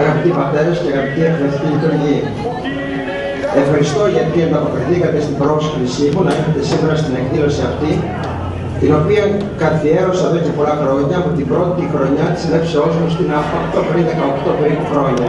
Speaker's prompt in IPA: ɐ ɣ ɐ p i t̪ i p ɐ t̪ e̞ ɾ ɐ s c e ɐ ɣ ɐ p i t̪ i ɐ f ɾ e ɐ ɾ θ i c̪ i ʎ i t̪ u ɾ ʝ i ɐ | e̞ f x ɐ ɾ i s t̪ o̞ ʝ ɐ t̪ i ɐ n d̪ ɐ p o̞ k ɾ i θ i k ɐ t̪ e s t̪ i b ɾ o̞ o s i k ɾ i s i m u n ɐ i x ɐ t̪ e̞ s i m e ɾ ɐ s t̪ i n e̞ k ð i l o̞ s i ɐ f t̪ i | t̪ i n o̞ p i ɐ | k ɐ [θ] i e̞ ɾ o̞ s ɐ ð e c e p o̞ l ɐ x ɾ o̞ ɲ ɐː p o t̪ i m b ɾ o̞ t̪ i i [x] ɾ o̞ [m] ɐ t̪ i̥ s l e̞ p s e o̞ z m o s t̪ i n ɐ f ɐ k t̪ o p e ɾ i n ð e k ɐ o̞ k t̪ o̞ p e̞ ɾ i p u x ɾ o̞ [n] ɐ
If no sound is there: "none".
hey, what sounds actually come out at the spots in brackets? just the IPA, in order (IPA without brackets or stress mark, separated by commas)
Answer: θ, x, ɲ, ɲ